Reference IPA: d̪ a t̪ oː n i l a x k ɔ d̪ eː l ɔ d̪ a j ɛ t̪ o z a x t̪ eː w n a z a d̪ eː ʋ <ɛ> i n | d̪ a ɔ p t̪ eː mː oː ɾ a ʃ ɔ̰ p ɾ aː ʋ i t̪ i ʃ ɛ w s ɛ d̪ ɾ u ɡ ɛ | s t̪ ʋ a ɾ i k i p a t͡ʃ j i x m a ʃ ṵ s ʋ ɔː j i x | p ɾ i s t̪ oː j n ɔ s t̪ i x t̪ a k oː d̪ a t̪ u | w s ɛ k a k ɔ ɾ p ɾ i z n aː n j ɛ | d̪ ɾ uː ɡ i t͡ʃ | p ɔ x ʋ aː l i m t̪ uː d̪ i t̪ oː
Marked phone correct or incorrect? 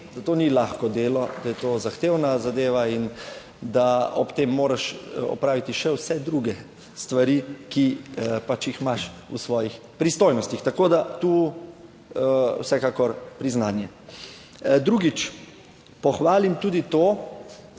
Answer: incorrect: a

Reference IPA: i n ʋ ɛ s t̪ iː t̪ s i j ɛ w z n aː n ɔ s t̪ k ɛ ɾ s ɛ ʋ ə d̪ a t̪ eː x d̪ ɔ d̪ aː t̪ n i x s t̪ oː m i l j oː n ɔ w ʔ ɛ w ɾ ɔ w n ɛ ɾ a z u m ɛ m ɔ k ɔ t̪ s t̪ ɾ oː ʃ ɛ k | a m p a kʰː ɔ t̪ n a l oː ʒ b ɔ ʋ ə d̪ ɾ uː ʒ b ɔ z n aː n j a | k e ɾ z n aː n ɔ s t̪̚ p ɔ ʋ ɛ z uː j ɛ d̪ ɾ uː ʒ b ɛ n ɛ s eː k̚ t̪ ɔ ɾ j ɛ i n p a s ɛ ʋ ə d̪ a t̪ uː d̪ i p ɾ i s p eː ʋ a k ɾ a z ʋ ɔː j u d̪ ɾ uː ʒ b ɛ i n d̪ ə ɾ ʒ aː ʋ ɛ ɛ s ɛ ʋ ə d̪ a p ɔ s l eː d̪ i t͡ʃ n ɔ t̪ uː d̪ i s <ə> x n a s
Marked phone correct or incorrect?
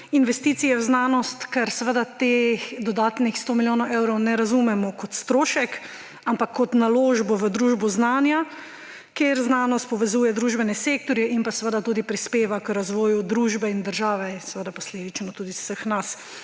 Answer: correct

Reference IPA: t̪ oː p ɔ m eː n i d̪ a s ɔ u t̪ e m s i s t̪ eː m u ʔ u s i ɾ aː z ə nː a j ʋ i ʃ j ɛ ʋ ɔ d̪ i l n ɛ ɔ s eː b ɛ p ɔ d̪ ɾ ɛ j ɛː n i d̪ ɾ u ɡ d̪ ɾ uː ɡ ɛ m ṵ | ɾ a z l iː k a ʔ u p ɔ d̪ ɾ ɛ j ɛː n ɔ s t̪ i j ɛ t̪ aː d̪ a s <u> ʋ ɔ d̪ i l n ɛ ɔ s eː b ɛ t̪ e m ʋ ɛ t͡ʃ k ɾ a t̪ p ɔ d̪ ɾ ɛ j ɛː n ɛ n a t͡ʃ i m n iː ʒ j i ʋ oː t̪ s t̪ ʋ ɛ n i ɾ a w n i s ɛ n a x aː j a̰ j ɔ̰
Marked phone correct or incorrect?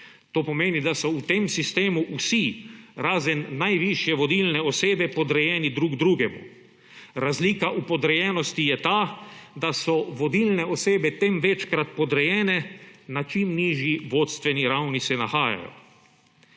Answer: incorrect: ɔ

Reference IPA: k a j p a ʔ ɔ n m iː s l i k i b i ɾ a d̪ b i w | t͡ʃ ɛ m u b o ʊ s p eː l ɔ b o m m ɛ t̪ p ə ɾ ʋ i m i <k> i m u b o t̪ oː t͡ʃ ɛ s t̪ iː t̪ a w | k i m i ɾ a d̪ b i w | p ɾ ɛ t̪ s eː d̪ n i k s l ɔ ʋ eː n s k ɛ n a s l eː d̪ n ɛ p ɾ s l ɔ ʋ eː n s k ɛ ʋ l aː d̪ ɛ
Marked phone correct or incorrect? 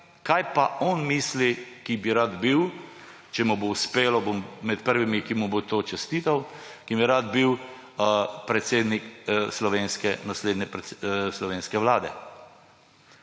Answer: correct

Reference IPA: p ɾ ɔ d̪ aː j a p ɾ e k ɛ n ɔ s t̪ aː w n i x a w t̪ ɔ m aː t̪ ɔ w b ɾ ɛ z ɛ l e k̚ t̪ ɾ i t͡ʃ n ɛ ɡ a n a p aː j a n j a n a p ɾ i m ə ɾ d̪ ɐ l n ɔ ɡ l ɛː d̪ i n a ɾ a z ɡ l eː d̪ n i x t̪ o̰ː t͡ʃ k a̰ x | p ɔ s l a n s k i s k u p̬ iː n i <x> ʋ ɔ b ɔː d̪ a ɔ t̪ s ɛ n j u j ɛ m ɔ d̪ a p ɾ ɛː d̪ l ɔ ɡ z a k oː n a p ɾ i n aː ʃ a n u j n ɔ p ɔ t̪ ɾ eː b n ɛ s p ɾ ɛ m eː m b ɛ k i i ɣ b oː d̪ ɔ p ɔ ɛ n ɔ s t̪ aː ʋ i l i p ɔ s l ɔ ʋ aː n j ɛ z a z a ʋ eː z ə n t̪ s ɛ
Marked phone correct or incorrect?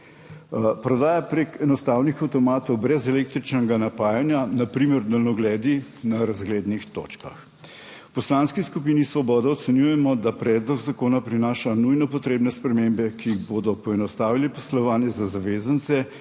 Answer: incorrect: s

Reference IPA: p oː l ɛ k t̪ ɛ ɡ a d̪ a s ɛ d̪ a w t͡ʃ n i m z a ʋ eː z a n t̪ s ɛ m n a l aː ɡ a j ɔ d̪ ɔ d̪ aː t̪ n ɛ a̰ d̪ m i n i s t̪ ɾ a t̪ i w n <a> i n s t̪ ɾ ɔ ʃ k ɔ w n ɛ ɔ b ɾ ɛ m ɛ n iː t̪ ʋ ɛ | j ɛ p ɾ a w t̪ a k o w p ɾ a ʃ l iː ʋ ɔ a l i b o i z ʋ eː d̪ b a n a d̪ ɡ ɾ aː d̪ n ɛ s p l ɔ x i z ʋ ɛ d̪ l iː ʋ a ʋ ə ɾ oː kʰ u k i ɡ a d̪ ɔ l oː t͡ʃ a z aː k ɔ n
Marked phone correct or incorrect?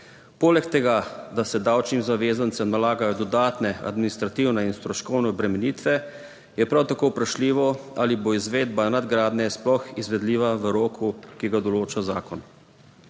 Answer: incorrect: ɛ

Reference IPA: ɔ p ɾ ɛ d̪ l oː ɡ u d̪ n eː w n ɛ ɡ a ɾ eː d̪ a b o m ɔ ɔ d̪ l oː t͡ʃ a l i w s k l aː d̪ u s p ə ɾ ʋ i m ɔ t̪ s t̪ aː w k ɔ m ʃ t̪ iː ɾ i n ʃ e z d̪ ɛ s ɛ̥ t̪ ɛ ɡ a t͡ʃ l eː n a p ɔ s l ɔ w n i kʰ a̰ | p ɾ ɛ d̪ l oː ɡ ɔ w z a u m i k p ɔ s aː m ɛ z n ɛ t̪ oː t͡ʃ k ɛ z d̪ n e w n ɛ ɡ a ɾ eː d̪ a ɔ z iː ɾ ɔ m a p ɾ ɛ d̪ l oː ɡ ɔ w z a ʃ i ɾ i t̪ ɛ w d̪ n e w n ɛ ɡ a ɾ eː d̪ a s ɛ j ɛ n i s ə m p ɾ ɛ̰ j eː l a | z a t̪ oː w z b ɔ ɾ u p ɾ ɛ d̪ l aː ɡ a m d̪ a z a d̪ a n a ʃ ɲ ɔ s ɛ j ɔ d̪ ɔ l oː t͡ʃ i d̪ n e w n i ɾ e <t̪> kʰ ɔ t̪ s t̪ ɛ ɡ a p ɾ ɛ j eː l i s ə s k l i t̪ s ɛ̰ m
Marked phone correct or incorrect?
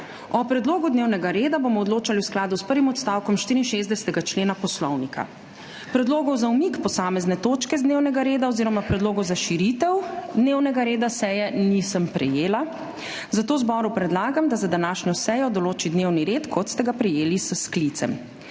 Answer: correct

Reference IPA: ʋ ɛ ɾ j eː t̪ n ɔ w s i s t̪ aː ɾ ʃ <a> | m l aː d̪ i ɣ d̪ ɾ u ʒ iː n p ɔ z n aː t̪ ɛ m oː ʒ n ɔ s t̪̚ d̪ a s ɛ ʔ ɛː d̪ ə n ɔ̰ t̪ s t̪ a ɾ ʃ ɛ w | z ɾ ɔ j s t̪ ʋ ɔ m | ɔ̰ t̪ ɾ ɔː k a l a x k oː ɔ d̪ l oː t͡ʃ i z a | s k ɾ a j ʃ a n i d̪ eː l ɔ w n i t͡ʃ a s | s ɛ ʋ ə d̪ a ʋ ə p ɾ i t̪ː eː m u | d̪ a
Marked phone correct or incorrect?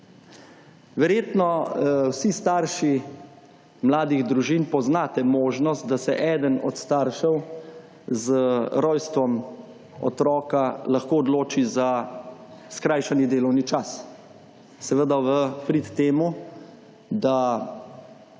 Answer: incorrect: i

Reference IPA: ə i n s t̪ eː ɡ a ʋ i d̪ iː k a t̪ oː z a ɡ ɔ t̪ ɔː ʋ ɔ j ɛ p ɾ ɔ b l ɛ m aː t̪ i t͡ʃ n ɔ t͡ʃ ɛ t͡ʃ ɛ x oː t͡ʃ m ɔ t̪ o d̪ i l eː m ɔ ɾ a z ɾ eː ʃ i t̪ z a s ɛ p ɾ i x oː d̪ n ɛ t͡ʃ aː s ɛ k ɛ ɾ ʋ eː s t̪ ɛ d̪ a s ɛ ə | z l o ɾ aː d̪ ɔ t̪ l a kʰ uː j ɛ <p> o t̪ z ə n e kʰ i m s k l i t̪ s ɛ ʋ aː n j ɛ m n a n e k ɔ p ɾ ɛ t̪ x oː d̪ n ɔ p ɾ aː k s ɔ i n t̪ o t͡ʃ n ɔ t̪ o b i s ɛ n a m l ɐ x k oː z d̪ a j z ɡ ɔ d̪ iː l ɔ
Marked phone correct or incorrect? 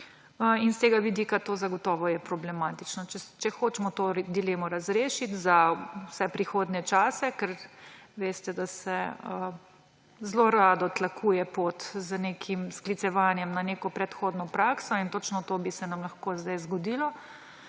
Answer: correct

